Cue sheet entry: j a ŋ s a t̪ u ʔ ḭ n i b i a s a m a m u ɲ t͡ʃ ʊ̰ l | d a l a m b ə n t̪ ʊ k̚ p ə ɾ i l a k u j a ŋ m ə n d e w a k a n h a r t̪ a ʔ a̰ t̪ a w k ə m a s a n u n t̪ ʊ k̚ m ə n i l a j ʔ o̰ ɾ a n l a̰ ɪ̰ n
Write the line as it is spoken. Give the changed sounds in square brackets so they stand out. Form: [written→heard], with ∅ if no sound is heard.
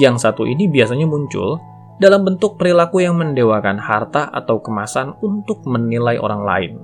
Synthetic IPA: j a ŋ s a t̪ u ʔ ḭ n i b i a s a [m→ɲ] a m u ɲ t͡ʃ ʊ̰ l | d a l a m b ə n t̪ ʊ k̚ p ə ɾ i l a k u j a ŋ m ə n d e w a k a n h a r t̪ a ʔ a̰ t̪ a w k ə m a s a n u n t̪ ʊ k̚ m ə n i l a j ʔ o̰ ɾ a [n→ŋ] l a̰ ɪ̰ n